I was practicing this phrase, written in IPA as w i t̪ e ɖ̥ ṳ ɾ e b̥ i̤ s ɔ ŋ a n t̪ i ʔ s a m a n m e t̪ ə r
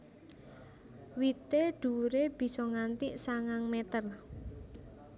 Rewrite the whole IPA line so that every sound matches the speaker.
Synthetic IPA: w i t̪ e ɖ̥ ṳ ɾ e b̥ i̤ s ɔ ŋ a n t̪ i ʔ s a ŋ a ŋ m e t̪ ə r

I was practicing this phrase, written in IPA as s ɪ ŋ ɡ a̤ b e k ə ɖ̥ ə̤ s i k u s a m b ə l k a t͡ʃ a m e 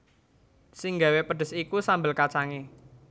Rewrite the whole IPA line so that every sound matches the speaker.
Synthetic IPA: s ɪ ŋ ɡ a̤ w e p ə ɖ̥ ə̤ s i k u s a m b ə l k a t͡ʃ a ŋ e

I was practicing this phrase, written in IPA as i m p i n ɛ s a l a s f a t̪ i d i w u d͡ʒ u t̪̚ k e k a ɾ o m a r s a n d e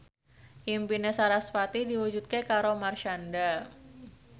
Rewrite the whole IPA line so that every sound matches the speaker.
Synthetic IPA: i m p i n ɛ s a ɾ a s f a t̪ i d i w u d͡ʒ u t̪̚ k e k a ɾ o m a r ʃ a n d a

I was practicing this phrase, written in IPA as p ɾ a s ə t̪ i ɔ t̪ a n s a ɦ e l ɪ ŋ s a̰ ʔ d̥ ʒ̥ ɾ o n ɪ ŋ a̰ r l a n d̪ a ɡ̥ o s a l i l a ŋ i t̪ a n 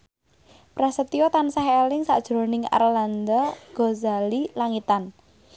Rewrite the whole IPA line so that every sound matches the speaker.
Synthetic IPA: p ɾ a s ə t̪ i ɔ t̪ a n s a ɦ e l ɪ ŋ s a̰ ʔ d̥ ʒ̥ ɾ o n ɪ ŋ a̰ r l a n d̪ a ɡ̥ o z a l i l a ŋ i t̪ a n

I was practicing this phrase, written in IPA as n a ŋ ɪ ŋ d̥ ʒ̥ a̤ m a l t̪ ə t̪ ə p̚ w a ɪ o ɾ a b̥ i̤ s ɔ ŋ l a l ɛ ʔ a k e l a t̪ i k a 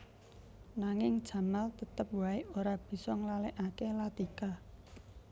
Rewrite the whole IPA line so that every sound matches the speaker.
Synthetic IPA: n a ŋ ɪ ŋ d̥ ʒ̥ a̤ m a l t̪ ə t̪ ə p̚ w a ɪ o ɾ a b̥ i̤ s ɔ ŋ l a l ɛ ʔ a k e l a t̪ i k a

